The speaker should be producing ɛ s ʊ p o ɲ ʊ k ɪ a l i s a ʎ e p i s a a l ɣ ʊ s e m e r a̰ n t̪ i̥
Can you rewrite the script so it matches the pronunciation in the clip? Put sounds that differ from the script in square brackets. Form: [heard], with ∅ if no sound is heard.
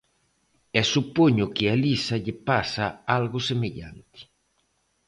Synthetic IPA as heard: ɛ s [u] p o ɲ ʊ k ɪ a l i s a ʎ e p [a] s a a l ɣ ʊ s e m e [ʎ] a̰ n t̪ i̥